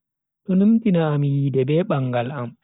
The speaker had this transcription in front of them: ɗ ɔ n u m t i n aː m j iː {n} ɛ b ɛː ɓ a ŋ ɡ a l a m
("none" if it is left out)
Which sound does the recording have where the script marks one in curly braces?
d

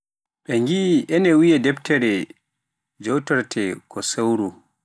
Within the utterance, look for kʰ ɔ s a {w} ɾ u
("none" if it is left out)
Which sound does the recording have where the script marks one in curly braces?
w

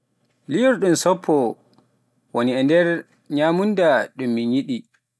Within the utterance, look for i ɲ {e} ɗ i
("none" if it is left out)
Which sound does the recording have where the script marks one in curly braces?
i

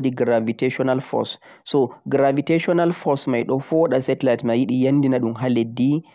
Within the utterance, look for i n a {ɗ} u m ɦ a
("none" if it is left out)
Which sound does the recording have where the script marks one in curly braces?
ɗ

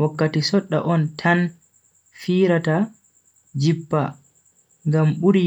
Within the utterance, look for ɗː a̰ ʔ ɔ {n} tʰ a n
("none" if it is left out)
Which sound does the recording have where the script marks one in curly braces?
n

